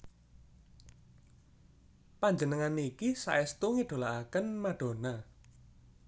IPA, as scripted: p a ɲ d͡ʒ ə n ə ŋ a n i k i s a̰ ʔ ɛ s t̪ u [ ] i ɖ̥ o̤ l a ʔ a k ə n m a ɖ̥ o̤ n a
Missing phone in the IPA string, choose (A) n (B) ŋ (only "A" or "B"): B